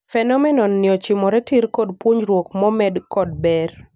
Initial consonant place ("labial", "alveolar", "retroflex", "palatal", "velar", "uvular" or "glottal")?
labial